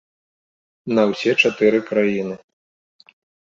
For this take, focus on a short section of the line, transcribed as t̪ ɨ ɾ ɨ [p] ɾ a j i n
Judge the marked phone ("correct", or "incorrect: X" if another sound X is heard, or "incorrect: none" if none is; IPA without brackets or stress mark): incorrect: k